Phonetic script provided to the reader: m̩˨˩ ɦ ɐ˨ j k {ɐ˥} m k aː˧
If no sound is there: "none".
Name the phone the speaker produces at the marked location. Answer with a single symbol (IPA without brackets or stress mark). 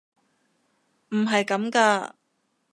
ɐ˨˥